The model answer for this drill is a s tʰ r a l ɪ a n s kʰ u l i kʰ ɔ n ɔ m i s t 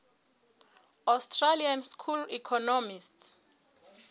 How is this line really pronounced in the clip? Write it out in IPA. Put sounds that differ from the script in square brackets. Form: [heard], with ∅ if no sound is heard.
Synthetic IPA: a s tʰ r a l [i] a n s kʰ u l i kʰ ɔ n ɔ m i s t